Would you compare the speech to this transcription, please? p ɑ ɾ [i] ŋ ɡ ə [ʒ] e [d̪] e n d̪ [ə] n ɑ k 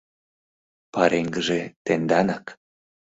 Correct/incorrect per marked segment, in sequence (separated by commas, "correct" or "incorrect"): incorrect, correct, incorrect, incorrect